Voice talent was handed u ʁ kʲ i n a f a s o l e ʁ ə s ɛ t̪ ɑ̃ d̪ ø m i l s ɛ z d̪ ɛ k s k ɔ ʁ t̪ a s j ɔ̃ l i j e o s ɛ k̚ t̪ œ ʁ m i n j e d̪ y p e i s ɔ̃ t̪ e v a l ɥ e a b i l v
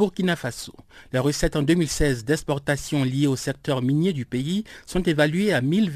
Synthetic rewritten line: u ʁ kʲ i n a f a s o l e ʁ ə s ɛ t̪ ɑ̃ d̪ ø m i l s ɛ z d̪ ɛ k s p ɔ ʁ t̪ a s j ɔ̃ l i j e o s ɛ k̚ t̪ œ ʁ m i n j e d̪ y p e i s ɔ̃ t̪ e v a l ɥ e a m i l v